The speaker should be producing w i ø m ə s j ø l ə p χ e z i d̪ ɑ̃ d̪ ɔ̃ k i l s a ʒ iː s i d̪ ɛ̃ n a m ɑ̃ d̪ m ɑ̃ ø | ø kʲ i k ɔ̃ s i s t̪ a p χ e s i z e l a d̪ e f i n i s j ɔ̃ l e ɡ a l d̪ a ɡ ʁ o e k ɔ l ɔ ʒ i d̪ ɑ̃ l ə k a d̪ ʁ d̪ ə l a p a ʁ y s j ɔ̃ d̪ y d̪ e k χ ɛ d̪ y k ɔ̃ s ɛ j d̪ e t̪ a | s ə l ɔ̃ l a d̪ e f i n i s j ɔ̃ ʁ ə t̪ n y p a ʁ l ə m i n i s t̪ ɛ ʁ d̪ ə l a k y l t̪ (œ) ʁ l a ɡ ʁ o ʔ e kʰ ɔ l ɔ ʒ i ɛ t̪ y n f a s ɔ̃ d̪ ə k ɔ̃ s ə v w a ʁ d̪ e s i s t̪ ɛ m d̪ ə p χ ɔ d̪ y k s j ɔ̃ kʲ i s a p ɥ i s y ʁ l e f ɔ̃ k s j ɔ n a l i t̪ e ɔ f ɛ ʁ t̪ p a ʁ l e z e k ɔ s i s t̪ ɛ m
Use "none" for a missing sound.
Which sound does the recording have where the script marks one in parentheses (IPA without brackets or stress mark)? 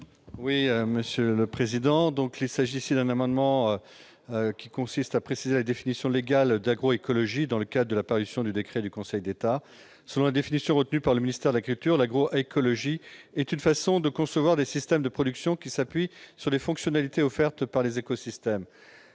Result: y